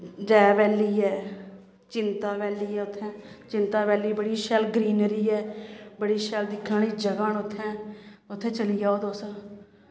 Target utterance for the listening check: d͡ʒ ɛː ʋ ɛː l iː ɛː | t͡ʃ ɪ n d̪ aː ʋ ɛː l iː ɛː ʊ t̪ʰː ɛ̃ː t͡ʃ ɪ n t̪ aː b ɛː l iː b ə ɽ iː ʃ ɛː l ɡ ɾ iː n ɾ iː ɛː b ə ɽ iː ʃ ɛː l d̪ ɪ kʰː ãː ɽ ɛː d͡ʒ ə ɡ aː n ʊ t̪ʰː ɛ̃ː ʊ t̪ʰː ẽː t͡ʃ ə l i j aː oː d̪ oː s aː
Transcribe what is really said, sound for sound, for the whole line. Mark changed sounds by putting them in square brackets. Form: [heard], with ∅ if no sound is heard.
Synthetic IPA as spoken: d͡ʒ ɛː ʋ ɛː l iː ɛː | t͡ʃ ɪ n [t̪] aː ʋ ɛː l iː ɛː ʊ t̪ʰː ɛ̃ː t͡ʃ ɪ n t̪ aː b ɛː l iː b ə ɽ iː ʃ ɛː l ɡ ɾ iː n ɾ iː ɛː b ə ɽ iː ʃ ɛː l d̪ ɪ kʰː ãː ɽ [iː] d͡ʒ ə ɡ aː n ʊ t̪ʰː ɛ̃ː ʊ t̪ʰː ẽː t͡ʃ ə l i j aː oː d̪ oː s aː

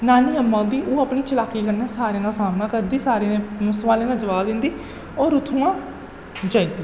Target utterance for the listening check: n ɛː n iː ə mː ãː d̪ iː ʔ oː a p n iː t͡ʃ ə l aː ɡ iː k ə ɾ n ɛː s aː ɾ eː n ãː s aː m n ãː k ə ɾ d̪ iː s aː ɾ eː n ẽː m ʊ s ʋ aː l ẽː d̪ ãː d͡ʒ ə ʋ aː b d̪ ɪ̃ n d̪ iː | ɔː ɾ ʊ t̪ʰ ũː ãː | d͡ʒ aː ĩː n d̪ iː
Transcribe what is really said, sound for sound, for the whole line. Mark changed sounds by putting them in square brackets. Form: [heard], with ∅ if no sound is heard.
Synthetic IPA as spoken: n [aː] n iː ə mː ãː d̪ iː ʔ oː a p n iː t͡ʃ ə l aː [k] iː k ə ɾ n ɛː s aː ɾ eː n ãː s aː m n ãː k ə ɾ d̪ iː s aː ɾ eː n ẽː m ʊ s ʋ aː l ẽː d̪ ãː d͡ʒ ə ʋ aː b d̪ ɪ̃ n d̪ iː | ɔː ɾ ʊ t̪ʰ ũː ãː | d͡ʒ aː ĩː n d̪ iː

